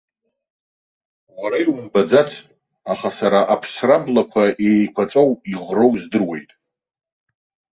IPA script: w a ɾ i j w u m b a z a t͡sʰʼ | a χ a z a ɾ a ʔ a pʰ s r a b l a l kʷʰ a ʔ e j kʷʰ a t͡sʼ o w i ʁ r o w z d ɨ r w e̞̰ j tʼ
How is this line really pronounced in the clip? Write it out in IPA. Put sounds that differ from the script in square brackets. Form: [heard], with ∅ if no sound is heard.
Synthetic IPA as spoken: w a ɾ [a] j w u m b a [d͡z] a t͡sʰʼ | a χ a [s] a ɾ a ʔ a pʰ s r a b l a [∅] kʷʰ a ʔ e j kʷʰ a t͡sʼ o w i ʁ r o w z d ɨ r w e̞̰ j tʼ